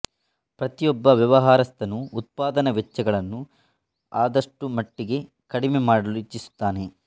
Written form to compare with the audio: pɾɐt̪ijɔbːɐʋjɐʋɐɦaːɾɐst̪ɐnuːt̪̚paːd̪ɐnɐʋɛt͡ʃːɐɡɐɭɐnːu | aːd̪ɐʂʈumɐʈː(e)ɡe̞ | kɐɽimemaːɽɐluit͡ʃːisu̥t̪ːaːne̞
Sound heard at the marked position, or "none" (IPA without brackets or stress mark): i